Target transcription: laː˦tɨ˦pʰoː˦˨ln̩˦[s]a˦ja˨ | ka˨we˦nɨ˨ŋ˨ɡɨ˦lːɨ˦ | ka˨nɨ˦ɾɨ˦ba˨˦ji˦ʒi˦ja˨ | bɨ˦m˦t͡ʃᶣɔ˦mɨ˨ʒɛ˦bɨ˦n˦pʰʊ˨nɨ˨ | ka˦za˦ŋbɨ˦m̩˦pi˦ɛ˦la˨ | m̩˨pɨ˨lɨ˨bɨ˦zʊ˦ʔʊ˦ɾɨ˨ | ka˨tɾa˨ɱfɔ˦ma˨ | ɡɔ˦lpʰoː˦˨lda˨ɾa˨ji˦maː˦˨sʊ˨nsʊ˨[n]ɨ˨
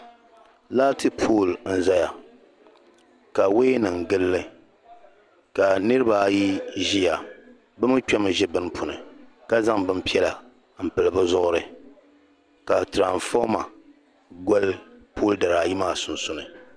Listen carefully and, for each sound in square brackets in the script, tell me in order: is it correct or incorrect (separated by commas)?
incorrect, correct